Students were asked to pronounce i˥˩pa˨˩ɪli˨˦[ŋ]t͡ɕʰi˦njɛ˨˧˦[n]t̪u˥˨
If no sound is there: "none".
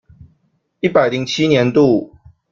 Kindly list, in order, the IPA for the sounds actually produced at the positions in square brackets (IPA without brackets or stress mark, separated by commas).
ŋ, n